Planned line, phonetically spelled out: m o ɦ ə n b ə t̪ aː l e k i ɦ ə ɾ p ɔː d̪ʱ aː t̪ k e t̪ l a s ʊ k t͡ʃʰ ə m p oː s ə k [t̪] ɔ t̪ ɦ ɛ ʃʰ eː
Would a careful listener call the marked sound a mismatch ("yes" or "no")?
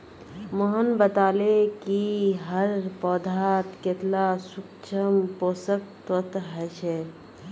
no